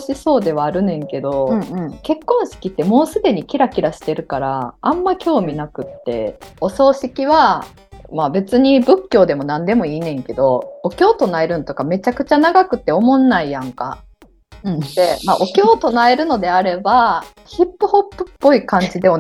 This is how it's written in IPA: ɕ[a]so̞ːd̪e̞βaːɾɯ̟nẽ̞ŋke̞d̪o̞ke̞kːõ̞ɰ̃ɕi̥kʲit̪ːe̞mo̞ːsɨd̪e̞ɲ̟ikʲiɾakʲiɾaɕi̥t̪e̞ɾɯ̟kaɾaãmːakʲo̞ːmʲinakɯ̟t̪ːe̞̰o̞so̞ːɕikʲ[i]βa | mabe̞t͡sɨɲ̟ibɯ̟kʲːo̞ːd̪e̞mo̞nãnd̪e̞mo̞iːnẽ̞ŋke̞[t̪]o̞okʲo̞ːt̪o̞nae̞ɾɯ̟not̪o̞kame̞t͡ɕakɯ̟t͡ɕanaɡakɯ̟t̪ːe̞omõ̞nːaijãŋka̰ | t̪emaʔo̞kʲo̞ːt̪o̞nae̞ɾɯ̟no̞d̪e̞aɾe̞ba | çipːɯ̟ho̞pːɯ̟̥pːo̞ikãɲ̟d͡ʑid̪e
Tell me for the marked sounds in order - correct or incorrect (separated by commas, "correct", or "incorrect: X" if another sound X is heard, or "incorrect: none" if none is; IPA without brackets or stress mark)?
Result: incorrect: i, correct, incorrect: d̪